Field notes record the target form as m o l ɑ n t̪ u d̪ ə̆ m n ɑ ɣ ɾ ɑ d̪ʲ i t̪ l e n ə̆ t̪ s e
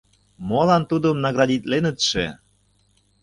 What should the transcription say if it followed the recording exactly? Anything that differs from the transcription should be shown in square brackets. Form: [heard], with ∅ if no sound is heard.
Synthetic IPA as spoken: m o l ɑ n t̪ u d̪ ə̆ m n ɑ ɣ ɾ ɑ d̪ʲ i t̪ l e n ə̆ t̪ [ʃ] e